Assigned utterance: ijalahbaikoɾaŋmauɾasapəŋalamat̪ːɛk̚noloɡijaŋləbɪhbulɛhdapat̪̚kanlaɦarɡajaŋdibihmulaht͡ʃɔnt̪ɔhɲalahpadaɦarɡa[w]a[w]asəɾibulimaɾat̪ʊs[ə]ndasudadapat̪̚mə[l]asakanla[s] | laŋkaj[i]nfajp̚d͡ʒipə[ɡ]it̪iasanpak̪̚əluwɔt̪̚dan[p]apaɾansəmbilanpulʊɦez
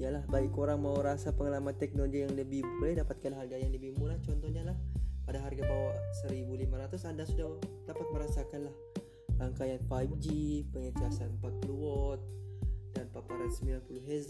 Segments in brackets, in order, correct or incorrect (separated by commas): incorrect, correct, incorrect, incorrect, incorrect, incorrect, incorrect, correct